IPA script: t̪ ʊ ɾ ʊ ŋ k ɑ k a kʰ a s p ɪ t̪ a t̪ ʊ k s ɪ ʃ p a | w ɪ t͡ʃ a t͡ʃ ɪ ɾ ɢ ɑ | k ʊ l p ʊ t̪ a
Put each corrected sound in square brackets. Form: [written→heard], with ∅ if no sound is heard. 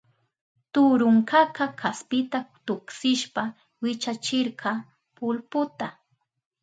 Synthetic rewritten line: t̪ ʊ ɾ ʊ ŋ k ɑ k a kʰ a s p ɪ t̪ a t̪ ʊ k s ɪ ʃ p a | w ɪ t͡ʃ a t͡ʃ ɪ ɾ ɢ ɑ | [k→p] ʊ l p ʊ t̪ a